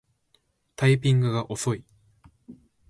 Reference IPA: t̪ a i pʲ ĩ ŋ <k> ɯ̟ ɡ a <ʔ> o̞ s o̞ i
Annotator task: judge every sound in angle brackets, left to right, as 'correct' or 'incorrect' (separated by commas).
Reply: incorrect, correct